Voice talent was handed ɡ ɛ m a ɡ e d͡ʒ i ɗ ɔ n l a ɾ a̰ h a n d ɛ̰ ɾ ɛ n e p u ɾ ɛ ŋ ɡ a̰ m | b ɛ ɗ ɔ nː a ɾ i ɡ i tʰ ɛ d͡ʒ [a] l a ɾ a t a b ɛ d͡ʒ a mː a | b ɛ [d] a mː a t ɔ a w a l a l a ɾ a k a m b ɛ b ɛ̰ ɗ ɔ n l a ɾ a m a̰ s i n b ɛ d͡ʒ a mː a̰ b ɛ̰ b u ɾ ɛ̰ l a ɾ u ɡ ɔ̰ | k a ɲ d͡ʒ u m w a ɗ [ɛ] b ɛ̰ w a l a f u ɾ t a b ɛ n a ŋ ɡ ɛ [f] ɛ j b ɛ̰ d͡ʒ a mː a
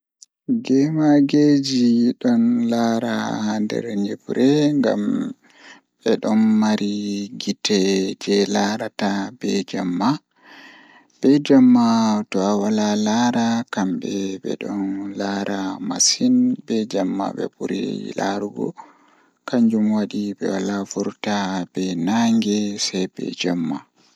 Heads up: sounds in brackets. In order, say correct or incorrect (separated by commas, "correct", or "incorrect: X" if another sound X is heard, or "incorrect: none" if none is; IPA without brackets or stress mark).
incorrect: ɛ, incorrect: d͡ʒ, incorrect: i, incorrect: s